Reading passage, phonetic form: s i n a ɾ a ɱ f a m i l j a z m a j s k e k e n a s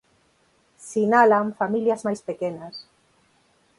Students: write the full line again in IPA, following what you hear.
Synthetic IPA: s i n a l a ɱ f a m i l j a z m a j s p e k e n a s